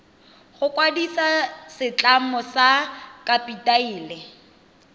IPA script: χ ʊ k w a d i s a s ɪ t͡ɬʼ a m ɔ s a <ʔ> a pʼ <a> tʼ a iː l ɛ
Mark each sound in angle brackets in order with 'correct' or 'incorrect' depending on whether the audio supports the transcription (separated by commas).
incorrect, incorrect